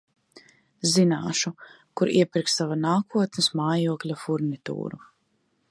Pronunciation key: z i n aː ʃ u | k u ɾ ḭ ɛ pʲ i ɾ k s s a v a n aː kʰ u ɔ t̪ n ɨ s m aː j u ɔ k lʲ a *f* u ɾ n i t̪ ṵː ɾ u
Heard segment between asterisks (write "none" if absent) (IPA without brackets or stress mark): f